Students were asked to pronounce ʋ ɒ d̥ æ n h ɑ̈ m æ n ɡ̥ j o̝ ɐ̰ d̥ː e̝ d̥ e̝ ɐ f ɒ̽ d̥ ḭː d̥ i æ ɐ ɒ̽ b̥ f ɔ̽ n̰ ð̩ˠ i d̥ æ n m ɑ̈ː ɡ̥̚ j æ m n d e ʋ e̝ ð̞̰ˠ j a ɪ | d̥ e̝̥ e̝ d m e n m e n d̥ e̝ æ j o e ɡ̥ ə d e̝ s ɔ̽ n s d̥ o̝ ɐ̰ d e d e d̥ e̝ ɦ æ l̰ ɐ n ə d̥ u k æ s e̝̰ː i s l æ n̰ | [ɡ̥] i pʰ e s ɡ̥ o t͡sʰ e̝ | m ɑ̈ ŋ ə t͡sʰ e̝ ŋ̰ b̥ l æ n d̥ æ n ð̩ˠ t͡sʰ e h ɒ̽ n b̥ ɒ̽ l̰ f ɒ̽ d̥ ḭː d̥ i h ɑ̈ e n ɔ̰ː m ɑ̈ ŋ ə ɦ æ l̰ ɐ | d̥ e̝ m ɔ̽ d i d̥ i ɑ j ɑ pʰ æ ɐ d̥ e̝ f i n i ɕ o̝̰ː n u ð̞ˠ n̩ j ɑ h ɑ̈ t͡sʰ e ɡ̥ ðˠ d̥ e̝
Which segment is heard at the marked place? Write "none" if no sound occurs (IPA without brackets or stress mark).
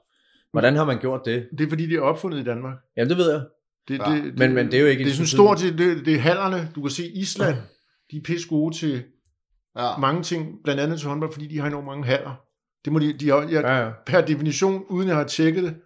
d̥